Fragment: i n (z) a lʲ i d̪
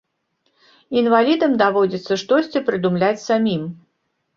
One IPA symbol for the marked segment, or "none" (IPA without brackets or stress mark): v